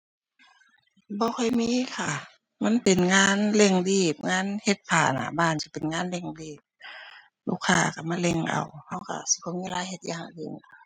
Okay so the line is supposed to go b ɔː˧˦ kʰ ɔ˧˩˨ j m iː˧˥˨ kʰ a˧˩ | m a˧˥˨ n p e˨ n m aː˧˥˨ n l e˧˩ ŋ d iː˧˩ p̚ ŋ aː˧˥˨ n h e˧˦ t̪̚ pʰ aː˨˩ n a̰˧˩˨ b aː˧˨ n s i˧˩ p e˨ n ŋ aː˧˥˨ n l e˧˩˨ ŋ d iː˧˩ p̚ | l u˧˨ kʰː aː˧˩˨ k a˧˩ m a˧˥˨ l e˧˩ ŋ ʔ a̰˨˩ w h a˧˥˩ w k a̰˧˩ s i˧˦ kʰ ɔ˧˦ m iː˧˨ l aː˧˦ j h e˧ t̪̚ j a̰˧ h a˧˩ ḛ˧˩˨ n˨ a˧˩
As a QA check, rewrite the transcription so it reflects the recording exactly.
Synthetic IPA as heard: b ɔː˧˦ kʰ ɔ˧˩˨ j m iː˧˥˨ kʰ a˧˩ | m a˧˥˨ n p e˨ n ŋ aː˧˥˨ n l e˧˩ ŋ d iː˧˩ p̚ ŋ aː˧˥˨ n h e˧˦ t̪̚ pʰ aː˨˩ n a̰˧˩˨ b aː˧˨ n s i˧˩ p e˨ n ŋ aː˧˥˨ n l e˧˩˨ ŋ d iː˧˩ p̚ | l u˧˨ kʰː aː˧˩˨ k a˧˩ m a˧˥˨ l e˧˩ ŋ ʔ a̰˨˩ w h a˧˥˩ w k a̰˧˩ s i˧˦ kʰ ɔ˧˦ m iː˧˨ l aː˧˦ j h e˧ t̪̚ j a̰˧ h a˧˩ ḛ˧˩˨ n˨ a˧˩